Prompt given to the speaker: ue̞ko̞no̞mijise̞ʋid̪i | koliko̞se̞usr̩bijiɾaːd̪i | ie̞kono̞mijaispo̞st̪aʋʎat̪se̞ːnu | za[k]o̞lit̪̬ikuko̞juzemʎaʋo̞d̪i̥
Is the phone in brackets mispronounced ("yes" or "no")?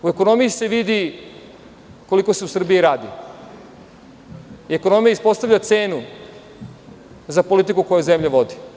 yes